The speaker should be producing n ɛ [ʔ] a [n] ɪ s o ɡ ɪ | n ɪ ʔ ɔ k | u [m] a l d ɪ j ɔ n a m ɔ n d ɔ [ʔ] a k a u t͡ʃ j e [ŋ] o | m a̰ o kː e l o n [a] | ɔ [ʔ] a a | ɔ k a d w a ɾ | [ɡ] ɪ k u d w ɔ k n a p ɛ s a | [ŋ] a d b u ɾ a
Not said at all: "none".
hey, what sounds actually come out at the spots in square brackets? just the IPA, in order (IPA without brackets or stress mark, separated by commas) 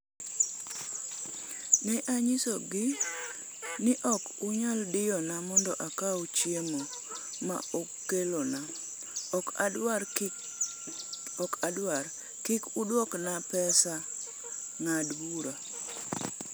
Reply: ʔ, ɲ, ɲ, ʔ, m, a, k, k, ŋ